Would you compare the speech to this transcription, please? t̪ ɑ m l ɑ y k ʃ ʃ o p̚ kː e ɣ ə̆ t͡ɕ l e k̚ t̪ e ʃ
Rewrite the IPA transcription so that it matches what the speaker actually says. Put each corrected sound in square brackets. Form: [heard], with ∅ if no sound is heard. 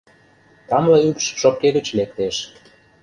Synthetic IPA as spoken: t̪ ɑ m l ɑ y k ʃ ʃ o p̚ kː e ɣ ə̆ t͡ɕ l e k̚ t̪ e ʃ